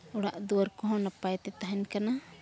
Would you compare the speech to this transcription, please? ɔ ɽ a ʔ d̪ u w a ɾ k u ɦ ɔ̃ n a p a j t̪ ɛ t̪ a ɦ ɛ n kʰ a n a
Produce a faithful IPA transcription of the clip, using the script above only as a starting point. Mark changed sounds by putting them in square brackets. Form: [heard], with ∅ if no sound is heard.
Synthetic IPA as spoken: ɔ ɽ a ʔ d̪ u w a ɾ k [ɔ] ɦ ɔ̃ n a p a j t̪ ɛ t̪ a ɦ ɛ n [k] a n a